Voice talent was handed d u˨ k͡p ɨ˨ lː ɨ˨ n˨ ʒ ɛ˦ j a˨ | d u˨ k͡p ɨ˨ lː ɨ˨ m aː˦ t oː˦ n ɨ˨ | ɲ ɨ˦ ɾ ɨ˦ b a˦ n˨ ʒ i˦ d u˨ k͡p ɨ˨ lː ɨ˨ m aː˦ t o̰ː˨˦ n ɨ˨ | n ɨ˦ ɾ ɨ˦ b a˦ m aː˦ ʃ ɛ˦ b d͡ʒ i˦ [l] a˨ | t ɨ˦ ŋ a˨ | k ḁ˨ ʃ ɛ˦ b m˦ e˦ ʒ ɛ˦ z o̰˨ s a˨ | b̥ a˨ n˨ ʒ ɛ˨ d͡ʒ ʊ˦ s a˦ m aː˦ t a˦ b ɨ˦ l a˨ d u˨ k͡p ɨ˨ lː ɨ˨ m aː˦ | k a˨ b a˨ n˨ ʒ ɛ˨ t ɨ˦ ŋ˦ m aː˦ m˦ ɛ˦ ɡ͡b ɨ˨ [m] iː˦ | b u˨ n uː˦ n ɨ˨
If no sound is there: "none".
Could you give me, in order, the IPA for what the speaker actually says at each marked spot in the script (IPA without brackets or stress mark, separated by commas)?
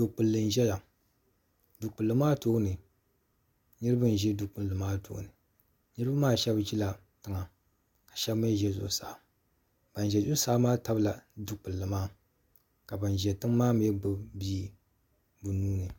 l, b